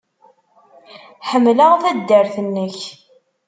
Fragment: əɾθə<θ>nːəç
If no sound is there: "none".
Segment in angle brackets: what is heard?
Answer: none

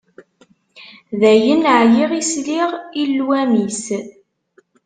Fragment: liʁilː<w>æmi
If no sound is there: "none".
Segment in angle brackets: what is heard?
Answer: w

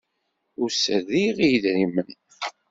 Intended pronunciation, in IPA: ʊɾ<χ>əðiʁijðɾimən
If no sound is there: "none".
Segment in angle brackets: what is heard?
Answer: s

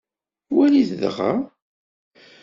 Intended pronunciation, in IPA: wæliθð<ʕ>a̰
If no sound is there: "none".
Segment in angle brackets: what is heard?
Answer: ʁ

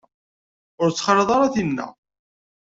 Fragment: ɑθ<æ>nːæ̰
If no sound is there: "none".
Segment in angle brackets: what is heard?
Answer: i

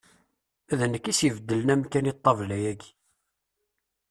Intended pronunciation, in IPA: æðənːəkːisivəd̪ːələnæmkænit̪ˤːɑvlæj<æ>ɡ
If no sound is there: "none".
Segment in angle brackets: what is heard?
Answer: æ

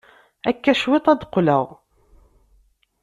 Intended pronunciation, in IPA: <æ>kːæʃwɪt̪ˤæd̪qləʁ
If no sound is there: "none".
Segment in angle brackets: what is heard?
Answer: æ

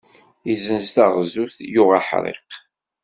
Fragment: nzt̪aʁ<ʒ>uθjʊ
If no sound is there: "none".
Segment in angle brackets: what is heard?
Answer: z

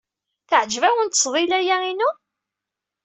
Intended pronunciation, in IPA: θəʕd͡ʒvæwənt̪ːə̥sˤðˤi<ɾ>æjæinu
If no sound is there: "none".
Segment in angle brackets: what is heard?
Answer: l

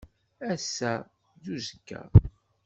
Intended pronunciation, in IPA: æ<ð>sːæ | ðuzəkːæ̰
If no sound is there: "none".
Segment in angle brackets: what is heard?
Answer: none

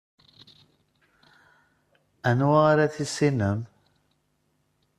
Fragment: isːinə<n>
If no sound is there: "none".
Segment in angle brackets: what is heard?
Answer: m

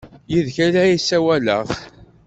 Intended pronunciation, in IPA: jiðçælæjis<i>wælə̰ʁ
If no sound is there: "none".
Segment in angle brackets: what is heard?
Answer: æ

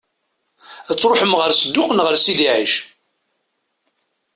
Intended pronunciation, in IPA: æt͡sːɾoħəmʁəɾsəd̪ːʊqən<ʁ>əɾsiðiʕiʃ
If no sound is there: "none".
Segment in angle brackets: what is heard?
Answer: ʁ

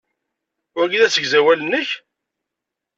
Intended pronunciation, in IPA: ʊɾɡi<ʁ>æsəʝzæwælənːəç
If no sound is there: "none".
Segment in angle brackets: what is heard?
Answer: ð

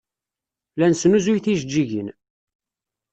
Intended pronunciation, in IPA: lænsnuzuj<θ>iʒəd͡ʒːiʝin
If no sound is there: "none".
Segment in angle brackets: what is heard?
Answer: θ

